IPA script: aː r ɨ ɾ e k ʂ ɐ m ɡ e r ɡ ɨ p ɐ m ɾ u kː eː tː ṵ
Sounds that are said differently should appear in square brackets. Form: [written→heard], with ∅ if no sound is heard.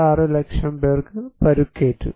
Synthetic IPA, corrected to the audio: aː r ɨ [ɾ→l] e k ʂ ɐ m [ɡ→b] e r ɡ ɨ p ɐ [m→∅] ɾ u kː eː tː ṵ